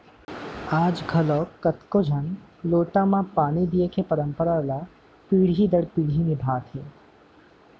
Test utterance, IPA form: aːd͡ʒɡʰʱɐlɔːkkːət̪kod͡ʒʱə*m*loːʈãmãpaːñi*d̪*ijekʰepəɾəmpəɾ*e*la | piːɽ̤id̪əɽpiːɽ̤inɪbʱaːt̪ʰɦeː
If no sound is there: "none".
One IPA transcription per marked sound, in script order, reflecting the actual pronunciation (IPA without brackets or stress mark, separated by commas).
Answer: n, d̪, a